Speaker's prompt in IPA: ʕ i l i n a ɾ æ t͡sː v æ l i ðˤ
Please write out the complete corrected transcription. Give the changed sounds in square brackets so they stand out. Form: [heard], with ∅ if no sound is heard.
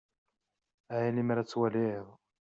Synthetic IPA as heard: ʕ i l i [m] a ɾ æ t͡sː [w] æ l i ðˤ